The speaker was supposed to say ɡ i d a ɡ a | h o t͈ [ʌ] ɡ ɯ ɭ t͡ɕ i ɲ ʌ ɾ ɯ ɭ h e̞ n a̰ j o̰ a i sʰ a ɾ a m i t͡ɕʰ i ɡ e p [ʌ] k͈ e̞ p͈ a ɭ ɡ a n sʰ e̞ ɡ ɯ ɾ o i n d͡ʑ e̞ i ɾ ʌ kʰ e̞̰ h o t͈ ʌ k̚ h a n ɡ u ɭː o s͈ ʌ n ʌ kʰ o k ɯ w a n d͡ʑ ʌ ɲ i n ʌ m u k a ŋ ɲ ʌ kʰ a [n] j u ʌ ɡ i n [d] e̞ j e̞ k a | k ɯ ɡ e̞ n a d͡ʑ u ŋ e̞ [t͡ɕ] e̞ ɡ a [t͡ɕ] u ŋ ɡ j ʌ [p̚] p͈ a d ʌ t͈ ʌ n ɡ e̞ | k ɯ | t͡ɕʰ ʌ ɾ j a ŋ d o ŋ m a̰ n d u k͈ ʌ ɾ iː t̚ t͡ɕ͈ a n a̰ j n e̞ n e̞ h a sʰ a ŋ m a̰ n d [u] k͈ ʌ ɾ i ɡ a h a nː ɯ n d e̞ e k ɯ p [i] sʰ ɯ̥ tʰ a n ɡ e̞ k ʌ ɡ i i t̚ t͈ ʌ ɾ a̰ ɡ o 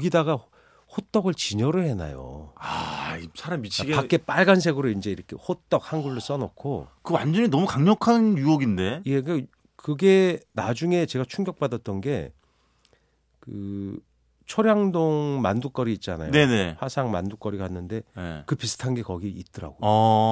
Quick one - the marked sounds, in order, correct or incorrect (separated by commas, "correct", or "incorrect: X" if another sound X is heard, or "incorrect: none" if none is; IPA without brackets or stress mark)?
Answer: correct, incorrect: a, correct, correct, correct, incorrect: t͡ɕʰ, incorrect: k̚, correct, correct